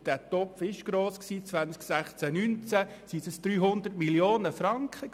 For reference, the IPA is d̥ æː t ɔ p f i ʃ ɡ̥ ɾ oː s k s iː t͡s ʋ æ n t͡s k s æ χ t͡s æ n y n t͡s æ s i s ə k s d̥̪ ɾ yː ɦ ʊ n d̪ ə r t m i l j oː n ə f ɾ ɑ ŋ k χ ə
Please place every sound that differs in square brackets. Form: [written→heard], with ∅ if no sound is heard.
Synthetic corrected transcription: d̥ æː t ɔ p f [i→ɪ] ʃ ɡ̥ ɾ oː s k s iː t͡s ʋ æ n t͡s k s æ χ t͡s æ n y n t͡s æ s i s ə [k→∅] s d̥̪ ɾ yː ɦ ʊ n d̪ ə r t m i l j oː n ə f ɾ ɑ ŋ k χ ə